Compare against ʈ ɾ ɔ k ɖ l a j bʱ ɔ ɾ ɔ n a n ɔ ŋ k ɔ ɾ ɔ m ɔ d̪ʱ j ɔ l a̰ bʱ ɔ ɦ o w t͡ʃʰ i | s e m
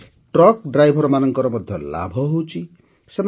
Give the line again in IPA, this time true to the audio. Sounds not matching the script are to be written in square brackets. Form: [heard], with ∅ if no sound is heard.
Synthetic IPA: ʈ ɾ ɔ k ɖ [ɾ] a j bʱ ɔ ɾ ɔ [m] a n ɔ ŋ k ɔ ɾ ɔ m ɔ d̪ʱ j ɔ l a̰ bʱ ɔ ɦ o w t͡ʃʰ i | s e m